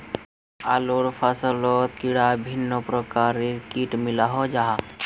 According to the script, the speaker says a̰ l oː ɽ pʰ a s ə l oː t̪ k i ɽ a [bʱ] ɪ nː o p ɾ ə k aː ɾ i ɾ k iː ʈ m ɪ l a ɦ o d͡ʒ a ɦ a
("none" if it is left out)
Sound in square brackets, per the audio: bʱ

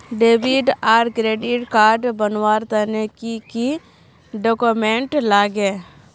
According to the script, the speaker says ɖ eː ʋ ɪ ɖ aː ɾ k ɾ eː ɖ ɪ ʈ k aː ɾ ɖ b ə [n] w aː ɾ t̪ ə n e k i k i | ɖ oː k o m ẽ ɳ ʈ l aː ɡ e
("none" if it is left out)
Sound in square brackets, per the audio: n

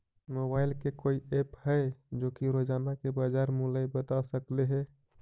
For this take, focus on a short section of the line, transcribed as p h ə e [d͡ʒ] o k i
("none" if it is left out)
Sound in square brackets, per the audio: d͡ʒ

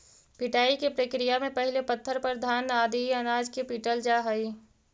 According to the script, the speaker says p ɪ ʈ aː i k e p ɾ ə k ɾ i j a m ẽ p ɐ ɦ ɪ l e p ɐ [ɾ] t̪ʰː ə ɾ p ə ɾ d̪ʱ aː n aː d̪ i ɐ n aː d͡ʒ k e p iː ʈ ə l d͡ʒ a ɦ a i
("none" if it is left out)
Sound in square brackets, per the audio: none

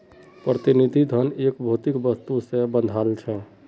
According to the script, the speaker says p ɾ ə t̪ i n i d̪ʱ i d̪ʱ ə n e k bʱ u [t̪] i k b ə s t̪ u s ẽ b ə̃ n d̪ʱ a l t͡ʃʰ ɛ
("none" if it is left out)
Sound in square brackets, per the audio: t̪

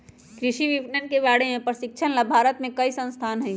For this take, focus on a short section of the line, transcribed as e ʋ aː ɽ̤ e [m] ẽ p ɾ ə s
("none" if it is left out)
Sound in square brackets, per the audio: m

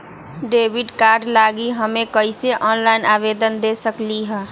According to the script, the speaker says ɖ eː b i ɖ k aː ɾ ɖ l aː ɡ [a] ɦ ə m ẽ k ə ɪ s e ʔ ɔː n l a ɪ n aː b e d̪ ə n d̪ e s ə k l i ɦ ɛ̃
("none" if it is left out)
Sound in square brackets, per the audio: i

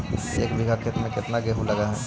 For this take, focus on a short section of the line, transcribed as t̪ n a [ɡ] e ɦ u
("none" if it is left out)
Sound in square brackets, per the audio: ɡ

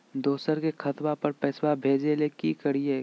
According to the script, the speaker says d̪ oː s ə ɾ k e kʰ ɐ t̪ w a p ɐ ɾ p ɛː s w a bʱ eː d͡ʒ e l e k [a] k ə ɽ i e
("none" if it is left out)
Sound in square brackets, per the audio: i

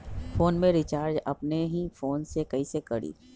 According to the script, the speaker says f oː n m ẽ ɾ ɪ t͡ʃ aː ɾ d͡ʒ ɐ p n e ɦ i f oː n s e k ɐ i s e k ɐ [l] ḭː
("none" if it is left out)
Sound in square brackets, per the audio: ɽ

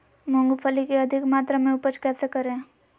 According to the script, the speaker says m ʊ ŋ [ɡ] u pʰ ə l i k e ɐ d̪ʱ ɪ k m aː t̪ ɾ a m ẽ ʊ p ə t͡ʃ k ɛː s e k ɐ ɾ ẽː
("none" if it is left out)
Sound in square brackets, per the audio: ɡ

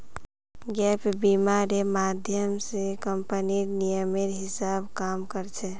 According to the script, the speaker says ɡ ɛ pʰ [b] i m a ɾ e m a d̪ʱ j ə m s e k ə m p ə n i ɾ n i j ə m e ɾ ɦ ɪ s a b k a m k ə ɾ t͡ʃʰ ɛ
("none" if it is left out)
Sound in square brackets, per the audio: b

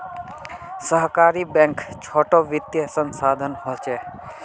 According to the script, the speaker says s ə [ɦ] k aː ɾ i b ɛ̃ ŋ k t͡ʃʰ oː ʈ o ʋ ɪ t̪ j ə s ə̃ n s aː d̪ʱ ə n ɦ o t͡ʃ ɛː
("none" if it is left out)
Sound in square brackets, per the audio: ɦ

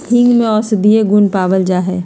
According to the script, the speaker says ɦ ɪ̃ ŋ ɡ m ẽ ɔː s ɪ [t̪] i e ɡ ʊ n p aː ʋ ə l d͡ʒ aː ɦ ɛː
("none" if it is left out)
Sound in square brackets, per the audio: d̪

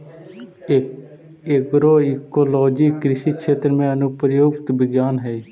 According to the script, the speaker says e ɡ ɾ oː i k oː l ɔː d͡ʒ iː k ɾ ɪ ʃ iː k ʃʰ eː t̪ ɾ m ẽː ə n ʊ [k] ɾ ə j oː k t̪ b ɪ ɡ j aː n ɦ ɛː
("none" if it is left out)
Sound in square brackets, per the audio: p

